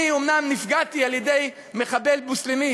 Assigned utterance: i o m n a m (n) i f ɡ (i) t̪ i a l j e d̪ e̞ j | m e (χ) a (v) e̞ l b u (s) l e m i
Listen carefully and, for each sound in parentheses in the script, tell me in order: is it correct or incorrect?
correct, incorrect: a, correct, incorrect: b, correct

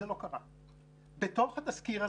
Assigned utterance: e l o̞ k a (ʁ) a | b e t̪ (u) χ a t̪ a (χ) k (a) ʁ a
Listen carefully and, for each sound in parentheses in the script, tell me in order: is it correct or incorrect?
correct, incorrect: o, incorrect: s, incorrect: i

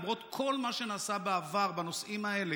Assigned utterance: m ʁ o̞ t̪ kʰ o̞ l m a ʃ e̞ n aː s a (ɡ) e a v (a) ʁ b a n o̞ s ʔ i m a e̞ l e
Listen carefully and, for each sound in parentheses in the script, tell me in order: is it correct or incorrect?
incorrect: b, correct

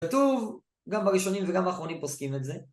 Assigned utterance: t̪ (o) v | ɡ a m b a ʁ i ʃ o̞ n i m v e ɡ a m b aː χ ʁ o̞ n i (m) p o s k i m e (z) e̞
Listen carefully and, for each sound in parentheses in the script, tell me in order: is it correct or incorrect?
incorrect: u, correct, correct

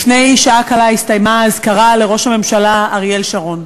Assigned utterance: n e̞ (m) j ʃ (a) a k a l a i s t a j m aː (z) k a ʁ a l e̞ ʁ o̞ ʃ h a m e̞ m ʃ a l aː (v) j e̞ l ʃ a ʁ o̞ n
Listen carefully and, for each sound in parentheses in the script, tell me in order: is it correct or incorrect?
incorrect: none, correct, correct, incorrect: ʁ

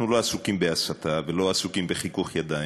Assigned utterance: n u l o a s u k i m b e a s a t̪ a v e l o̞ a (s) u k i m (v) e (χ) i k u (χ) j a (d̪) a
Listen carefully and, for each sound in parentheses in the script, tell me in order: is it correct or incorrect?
correct, incorrect: b, correct, correct, correct

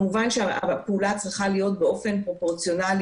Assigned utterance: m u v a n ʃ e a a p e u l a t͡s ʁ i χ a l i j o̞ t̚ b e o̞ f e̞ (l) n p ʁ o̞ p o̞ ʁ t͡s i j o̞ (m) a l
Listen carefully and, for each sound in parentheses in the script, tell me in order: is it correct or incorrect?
incorrect: none, incorrect: n

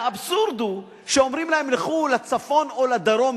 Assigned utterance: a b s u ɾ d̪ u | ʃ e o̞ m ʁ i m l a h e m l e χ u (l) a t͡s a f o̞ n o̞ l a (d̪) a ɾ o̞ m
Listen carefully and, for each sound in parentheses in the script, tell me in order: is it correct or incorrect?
correct, correct

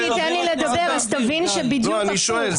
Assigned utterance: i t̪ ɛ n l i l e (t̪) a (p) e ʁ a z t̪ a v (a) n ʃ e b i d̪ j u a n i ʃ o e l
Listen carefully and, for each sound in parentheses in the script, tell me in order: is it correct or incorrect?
incorrect: d̪, incorrect: b, incorrect: i

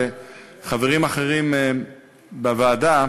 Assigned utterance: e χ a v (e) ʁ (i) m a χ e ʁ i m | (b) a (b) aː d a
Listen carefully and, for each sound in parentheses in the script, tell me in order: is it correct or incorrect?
correct, correct, correct, incorrect: v

